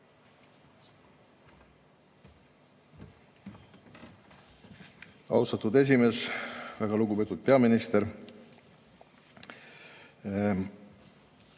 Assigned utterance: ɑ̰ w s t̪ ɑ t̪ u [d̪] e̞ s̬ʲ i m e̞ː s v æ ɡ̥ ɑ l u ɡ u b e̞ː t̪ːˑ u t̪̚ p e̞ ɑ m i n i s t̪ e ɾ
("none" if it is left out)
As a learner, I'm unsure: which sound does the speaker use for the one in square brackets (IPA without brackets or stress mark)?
d̪